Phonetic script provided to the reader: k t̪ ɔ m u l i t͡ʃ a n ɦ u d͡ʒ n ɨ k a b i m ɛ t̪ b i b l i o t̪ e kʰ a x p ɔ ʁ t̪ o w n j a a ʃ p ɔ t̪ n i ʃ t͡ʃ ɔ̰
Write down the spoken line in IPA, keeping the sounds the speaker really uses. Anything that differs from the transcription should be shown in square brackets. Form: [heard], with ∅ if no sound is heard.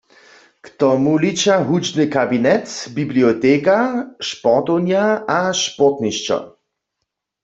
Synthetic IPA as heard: k t̪ ɔ m u l i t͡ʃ a [∅] ɦ u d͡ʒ n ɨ k a b i [n] ɛ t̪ b i b l i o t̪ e [k] a [ʃ] p ɔ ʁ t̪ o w n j a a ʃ p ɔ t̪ n i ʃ t͡ʃ ɔ̰